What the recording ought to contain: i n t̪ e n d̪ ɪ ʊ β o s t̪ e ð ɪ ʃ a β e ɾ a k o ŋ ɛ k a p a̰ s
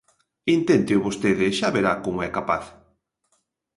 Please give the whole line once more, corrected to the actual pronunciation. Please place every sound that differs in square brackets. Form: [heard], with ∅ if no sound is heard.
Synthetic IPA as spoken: i n t̪ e n [t̪] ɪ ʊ β o s t̪ e ð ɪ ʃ a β e ɾ a k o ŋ ɛ k a p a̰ [θ]